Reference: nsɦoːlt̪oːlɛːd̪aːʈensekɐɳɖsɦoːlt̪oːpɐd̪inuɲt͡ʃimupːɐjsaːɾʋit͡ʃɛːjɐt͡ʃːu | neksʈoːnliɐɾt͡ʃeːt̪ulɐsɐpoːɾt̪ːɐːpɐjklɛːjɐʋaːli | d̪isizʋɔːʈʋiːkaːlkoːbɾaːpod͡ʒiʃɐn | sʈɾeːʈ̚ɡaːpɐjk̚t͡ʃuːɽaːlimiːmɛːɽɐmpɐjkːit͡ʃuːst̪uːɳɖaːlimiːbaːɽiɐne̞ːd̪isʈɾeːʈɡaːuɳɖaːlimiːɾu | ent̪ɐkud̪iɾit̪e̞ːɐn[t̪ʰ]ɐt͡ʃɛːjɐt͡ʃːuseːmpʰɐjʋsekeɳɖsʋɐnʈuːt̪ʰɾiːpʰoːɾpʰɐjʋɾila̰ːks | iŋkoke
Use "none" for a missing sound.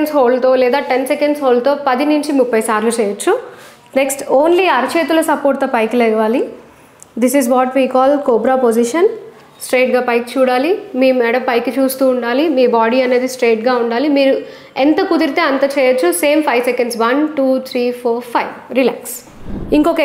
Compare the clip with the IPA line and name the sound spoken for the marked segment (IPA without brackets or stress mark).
t̪